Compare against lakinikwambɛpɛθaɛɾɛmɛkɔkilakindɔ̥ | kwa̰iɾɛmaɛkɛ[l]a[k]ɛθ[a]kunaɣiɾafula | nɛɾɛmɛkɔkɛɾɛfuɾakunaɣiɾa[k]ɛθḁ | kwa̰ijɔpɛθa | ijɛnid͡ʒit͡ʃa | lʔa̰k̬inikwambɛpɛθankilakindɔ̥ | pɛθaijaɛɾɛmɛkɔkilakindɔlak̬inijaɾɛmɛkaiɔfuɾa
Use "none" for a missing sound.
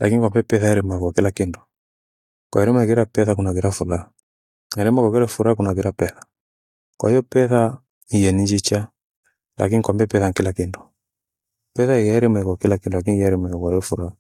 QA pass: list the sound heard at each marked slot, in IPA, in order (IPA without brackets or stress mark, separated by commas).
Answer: ɾ, p, a, p